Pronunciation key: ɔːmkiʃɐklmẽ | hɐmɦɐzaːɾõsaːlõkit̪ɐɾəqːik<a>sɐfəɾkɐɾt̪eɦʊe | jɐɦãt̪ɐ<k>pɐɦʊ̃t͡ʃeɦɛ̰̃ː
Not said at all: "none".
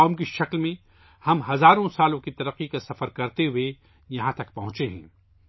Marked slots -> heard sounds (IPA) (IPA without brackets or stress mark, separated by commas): a, k